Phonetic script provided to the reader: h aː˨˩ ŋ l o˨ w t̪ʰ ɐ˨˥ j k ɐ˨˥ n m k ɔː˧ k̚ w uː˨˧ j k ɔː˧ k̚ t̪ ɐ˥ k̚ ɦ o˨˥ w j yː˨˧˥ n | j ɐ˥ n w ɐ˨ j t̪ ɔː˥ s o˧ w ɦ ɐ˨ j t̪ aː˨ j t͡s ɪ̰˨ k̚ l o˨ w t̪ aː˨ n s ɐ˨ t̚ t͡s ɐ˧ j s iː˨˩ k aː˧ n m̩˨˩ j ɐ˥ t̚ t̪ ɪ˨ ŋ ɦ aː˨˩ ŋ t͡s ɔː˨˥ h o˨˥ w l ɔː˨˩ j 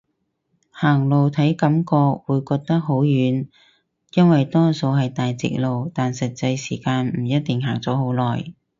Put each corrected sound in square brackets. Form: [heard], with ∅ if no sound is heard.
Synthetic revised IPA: h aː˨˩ ŋ l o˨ w t̪ʰ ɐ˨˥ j k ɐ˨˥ [∅] m k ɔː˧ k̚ w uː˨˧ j k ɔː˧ k̚ t̪ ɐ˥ k̚ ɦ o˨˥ w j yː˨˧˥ n | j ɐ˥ n w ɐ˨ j t̪ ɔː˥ s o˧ w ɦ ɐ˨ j t̪ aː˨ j t͡s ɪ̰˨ k̚ l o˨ w t̪ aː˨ n s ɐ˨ t̚ t͡s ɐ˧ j s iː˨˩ k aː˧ n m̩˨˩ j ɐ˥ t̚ t̪ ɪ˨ ŋ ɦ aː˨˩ ŋ t͡s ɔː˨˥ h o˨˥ w l ɔː˨˩ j